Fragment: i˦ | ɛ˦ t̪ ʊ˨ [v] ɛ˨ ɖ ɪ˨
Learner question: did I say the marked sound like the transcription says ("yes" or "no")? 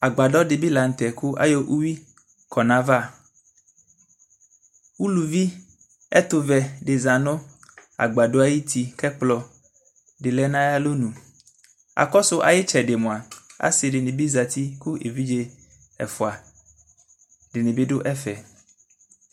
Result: yes